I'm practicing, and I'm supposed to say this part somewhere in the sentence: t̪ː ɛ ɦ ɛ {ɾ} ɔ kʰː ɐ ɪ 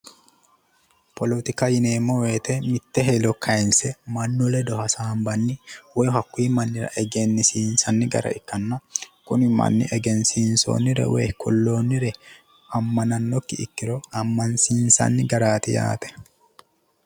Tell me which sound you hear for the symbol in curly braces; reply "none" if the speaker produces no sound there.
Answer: l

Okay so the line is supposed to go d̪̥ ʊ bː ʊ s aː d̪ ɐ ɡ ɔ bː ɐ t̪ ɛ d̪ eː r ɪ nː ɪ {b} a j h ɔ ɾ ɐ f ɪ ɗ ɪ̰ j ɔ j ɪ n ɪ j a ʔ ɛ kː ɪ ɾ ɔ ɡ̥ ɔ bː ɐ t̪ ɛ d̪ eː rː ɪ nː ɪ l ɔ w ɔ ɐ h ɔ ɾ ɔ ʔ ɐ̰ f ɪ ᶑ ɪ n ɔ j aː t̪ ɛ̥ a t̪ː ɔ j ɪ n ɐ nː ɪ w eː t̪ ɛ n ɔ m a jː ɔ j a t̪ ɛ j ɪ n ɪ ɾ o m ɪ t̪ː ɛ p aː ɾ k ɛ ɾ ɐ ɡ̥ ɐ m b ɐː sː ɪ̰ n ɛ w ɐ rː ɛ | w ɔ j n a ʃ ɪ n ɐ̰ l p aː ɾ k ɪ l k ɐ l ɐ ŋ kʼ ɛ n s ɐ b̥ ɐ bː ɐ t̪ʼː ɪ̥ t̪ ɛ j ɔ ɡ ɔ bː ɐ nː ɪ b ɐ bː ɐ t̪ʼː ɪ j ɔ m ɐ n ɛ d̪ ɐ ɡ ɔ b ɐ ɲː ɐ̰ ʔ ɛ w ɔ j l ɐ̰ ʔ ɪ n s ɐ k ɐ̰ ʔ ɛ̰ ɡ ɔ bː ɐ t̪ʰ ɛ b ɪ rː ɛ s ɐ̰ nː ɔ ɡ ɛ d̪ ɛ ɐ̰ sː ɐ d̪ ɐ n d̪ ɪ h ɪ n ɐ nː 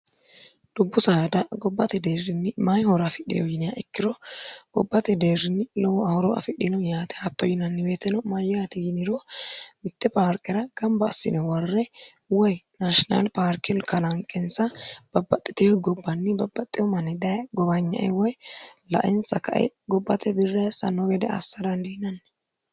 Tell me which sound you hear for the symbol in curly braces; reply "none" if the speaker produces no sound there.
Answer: m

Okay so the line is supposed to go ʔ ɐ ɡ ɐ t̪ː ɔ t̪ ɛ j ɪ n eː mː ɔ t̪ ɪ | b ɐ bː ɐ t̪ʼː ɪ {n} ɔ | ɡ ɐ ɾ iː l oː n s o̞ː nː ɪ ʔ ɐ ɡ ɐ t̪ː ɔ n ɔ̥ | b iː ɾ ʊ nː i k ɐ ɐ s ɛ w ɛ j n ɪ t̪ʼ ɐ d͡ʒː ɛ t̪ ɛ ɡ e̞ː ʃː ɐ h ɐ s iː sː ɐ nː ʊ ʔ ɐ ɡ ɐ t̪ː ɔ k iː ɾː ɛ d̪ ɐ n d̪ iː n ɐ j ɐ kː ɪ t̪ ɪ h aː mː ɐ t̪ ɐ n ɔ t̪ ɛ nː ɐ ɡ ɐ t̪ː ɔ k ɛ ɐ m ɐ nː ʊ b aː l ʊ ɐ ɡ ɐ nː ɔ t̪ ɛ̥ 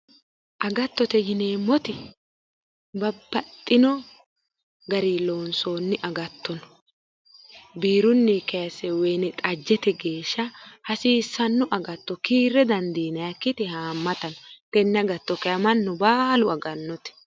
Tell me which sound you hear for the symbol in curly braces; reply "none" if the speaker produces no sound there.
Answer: n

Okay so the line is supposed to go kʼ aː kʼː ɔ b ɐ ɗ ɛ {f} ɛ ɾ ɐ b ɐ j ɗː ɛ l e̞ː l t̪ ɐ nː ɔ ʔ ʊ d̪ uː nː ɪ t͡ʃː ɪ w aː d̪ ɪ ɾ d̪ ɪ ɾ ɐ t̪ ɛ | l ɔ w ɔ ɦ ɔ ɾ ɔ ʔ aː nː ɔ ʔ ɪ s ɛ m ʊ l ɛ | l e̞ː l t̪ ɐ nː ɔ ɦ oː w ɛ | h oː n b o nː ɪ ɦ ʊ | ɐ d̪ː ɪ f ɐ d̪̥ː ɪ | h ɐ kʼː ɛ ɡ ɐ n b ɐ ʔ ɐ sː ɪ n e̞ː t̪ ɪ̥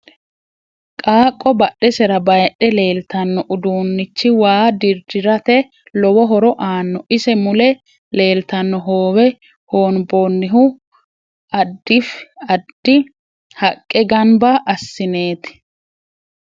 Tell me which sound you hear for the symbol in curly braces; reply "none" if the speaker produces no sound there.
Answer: s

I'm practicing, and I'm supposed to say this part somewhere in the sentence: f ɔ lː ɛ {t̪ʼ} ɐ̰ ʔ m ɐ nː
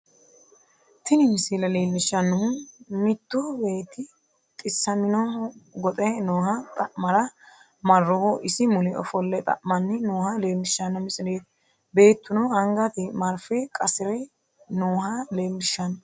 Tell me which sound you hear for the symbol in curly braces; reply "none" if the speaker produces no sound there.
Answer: t̪ʼ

